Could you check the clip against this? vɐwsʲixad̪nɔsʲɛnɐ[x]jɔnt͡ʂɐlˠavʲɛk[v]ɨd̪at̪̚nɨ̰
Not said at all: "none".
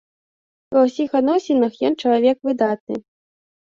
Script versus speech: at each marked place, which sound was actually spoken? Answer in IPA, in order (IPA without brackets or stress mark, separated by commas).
x, v